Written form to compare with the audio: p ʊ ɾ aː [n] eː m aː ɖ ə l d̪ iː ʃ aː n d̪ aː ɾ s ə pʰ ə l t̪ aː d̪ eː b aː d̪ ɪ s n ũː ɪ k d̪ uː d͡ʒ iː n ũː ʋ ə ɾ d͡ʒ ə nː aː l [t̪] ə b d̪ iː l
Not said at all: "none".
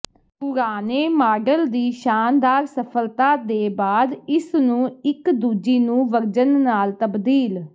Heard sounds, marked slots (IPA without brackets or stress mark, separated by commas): n, t̪